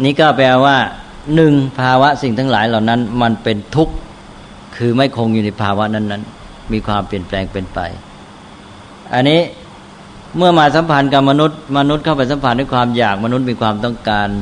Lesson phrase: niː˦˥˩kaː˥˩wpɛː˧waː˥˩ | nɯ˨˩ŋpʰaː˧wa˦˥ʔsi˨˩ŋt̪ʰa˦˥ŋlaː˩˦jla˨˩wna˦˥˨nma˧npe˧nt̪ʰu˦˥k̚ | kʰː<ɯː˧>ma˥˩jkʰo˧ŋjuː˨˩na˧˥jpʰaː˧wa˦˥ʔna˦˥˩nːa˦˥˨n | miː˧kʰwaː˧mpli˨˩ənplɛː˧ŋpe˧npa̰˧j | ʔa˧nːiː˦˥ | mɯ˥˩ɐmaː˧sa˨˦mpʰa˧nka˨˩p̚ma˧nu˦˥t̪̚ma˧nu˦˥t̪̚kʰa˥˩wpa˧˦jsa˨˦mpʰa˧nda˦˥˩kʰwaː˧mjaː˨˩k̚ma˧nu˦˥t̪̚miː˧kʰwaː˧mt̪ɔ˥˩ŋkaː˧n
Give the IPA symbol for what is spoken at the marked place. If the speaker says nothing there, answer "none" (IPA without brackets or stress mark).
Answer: ɯː˧